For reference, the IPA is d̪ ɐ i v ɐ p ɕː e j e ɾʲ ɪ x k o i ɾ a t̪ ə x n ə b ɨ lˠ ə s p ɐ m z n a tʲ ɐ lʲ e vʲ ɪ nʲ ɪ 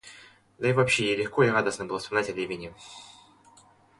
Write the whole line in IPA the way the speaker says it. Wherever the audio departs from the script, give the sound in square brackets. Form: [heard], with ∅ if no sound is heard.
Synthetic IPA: d̪ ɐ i v ɐ p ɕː e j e [lʲ] ɪ x k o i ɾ a [d̪] ə [s] n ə b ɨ lˠ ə s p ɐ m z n a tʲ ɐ lʲ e vʲ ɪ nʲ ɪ